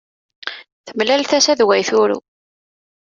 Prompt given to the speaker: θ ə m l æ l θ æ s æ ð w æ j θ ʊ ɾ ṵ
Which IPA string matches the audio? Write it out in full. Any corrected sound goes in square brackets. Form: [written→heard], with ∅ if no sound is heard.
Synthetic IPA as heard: θ ə m l æ l θ æ s æ ð w æ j θ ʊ ɾ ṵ